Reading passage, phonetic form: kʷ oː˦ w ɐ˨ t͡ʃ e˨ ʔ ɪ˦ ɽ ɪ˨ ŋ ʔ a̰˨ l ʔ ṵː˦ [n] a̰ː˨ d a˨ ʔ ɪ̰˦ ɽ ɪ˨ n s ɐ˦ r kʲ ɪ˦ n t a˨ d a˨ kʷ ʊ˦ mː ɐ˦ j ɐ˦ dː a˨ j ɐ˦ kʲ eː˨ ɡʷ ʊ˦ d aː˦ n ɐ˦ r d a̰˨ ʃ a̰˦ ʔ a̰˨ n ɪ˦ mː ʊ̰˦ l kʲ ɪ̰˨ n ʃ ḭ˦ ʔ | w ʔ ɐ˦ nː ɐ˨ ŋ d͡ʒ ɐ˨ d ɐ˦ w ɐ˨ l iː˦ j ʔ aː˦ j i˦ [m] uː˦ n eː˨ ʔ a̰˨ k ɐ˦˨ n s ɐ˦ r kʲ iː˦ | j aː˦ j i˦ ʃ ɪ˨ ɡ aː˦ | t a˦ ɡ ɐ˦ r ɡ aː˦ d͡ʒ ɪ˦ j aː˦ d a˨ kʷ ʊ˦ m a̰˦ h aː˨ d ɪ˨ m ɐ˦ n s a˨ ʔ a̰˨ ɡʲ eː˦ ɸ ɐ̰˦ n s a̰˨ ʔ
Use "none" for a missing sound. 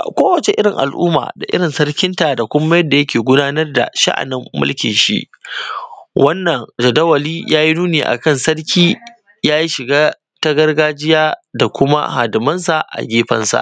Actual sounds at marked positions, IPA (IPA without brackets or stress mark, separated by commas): m, n